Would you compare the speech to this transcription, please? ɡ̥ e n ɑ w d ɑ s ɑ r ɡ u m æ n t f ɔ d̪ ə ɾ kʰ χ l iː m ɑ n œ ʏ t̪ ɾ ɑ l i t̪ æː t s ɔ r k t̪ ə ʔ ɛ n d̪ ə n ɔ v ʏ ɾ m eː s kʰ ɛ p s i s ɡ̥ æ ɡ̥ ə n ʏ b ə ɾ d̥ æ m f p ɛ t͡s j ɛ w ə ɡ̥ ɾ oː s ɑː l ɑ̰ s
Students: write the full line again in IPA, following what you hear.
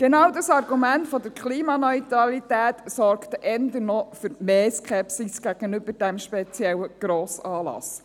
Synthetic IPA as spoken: ɡ̥ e n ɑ w d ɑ s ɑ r ɡ u m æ n t f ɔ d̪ ə ɾ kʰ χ l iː m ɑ n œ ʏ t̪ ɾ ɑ l i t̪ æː t s ɔ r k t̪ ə ʔ ɛ n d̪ ə n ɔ f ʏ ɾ m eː s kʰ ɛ p s i s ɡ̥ æ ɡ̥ ə n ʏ b ə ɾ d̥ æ m ʃ p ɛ t͡s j ɛ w ə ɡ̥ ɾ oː s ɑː l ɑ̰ s